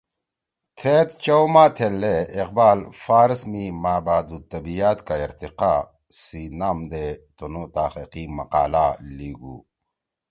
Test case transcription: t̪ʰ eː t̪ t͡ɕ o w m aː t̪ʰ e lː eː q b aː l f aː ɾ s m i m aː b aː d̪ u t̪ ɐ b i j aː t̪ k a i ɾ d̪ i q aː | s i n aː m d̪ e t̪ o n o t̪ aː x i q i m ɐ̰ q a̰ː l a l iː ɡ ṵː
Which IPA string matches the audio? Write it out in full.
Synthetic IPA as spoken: t̪ʰ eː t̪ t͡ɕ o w m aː t̪ʰ e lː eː q b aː l f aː ɾ s m i m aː b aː d̪ u t̪ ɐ b i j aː t̪ k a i ɾ t̪ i q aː | s i n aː m d̪ e t̪ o n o t̪ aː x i q i m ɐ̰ q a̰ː l a l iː ɡ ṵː